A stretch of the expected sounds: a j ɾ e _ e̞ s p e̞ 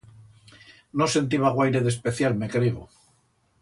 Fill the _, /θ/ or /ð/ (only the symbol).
ð